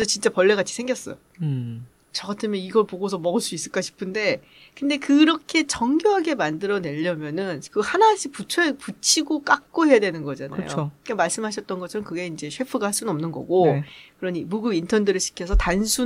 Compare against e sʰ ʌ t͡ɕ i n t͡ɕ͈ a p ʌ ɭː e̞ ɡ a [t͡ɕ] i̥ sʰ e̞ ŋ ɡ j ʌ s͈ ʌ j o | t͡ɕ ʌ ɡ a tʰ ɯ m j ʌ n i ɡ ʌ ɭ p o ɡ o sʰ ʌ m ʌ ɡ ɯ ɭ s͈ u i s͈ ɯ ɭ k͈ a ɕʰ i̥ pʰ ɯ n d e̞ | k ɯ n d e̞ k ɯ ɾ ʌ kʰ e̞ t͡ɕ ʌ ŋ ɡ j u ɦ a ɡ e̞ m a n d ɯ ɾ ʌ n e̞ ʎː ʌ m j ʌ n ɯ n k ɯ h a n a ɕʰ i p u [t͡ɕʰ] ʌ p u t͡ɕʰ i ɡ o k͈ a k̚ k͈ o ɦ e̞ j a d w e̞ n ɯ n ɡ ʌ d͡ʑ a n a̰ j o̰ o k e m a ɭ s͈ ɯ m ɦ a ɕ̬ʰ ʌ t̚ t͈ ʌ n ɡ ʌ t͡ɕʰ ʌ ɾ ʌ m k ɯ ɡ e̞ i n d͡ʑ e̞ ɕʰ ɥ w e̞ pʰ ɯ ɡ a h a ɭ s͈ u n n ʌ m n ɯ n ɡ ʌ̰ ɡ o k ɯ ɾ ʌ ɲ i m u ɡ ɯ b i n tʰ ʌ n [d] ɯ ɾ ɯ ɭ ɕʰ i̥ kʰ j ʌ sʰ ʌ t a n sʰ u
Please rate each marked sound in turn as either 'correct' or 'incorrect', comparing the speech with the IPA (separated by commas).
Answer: incorrect, correct, correct